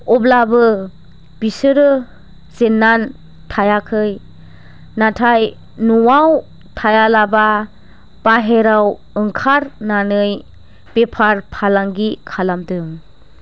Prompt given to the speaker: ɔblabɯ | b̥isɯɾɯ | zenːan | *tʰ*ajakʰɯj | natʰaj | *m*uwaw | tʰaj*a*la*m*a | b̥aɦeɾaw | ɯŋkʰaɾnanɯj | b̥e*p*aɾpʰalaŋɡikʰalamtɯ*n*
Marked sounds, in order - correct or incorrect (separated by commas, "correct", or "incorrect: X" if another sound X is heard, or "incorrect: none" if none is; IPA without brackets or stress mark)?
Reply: correct, incorrect: n, correct, incorrect: b, incorrect: pʰ, incorrect: ŋ